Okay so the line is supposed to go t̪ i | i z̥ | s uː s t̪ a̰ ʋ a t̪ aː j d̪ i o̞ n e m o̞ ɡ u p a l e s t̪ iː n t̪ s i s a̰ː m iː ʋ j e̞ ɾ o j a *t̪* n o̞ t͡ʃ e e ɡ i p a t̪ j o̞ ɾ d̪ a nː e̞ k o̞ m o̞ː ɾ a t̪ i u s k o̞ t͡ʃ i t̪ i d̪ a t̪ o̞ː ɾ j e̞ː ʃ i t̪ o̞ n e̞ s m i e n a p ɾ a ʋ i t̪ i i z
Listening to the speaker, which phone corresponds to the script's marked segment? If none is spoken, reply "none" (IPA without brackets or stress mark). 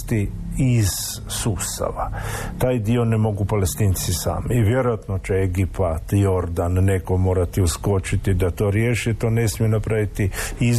t̪